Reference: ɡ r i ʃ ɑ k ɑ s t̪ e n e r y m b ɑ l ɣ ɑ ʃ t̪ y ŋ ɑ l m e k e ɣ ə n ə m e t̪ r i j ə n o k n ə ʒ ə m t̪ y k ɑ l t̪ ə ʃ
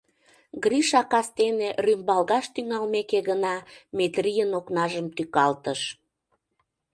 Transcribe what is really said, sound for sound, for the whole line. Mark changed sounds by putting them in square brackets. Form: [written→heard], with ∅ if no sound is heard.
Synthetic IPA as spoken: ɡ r i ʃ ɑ k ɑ s t̪ e n e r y m b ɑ l ɣ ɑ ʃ t̪ y ŋ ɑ l m e k e ɣ ə n [ə→ɑ] m e t̪ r i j ə n o k n [ə→ɑ] ʒ ə m t̪ y k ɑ l t̪ ə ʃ